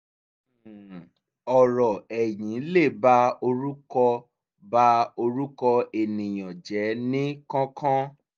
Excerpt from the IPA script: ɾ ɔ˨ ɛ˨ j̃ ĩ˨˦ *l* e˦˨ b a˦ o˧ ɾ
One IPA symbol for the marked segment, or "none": l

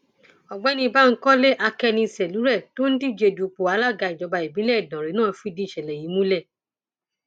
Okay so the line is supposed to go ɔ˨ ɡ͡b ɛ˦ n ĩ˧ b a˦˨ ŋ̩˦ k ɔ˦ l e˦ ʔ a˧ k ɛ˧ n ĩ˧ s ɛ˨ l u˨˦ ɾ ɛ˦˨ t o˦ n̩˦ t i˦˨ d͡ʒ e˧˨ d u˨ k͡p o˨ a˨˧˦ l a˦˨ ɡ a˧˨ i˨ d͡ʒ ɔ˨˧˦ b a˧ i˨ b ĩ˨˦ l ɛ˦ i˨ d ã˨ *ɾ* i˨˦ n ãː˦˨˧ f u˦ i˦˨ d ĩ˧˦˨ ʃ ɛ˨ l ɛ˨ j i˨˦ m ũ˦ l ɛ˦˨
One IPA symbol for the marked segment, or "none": ɾ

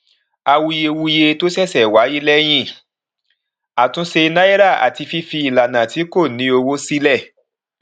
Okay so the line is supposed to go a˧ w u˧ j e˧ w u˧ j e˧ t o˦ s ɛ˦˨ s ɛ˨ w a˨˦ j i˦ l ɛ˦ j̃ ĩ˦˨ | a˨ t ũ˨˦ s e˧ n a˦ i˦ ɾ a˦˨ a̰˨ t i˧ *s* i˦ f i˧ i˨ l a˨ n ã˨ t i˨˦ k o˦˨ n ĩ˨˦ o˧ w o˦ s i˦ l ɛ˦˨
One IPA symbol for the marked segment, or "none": f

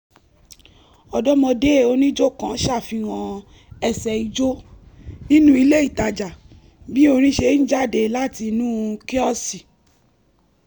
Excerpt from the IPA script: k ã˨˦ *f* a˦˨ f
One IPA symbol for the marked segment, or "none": ʃ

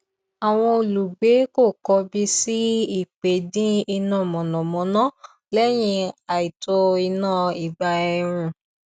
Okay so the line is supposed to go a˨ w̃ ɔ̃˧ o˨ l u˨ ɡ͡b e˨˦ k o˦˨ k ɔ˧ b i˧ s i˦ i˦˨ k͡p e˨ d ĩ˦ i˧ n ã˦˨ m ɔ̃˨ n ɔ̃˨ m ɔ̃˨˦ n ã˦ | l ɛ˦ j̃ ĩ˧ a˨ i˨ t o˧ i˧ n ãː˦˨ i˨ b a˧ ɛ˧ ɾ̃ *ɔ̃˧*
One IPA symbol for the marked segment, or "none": ũ˧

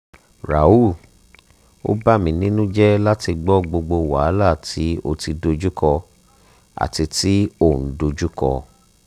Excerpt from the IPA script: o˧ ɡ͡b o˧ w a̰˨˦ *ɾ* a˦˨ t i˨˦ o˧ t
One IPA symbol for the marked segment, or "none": l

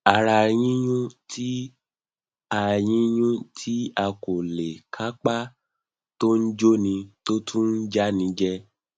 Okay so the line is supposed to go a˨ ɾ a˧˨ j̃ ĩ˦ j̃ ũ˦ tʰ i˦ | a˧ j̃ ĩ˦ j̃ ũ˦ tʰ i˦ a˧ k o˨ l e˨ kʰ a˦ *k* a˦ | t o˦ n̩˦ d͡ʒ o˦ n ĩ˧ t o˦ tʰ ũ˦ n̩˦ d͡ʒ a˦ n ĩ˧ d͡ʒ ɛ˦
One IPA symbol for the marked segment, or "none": k͡p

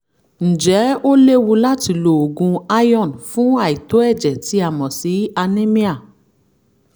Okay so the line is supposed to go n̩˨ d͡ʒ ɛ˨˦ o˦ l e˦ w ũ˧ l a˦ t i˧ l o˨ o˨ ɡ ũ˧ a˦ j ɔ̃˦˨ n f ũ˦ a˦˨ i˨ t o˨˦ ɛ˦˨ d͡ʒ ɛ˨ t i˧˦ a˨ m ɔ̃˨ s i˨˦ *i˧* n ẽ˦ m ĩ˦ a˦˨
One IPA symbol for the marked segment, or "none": a˧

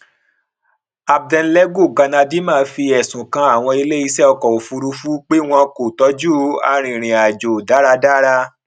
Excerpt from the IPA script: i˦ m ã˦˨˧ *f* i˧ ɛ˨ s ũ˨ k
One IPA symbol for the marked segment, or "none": f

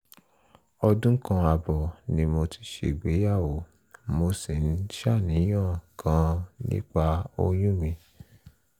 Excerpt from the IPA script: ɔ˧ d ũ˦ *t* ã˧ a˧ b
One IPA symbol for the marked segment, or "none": k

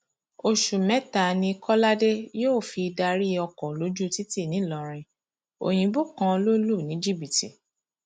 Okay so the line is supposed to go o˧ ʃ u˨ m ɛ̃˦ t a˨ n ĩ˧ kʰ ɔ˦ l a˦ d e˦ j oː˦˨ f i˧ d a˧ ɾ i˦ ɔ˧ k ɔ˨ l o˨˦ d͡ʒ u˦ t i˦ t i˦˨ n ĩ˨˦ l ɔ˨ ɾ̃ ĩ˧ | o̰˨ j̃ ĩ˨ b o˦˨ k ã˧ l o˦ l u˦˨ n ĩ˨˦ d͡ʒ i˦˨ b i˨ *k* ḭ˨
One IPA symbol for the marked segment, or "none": t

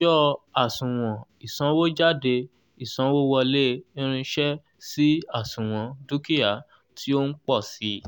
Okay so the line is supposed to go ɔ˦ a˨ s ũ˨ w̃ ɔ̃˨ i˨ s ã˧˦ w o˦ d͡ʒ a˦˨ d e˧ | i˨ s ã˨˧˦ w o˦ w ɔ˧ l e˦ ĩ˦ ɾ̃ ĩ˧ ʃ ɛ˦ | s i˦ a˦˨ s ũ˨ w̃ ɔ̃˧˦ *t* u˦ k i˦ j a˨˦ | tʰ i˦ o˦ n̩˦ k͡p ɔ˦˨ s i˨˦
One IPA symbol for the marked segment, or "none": d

